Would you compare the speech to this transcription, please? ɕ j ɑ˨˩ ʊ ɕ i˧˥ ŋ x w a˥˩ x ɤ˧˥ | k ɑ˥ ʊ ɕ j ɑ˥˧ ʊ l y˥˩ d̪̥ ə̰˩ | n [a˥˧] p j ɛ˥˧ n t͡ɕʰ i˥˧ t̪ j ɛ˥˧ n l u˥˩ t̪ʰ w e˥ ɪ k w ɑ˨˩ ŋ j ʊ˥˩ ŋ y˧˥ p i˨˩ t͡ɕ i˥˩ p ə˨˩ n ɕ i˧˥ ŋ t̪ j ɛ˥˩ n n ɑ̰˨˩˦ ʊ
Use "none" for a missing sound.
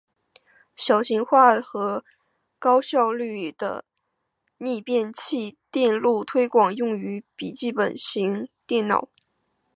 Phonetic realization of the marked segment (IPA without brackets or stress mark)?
i˥˧